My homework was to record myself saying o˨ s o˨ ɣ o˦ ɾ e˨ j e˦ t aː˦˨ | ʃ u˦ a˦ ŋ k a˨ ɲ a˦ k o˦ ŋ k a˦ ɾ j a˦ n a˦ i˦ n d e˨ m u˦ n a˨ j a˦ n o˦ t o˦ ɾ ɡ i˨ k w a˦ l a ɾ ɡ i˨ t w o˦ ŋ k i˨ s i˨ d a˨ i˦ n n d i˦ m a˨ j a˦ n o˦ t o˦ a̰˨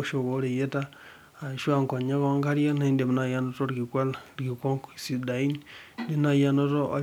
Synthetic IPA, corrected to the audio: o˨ ʃ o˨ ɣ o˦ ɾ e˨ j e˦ t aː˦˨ | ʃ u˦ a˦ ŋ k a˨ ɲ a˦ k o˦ ŋ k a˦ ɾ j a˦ n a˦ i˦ n d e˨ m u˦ n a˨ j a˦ n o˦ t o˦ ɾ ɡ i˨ k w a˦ l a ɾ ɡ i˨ k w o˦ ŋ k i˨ s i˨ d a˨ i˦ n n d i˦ n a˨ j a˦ n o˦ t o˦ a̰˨